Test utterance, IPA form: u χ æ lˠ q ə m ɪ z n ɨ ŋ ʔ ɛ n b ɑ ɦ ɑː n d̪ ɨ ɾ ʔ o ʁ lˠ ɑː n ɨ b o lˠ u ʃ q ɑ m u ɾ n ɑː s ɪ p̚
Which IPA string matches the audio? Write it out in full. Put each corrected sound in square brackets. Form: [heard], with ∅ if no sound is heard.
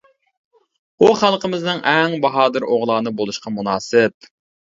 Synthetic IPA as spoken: u χ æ lˠ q ə m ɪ z n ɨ ŋ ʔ ɛ [ŋ] b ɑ ɦ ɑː [∅] d̪ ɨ ɾ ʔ o ʁ lˠ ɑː n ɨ b o lˠ u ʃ q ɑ m u [∅] n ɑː s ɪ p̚